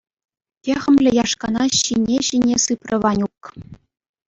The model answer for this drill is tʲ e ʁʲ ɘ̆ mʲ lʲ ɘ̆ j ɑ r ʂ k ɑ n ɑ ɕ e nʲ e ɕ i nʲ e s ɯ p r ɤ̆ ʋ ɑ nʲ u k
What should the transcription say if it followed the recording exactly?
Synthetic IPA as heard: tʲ e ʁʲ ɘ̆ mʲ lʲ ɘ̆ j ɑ ʂ k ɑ n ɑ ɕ i nʲ e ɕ i nʲ e s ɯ p r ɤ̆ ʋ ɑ nʲ u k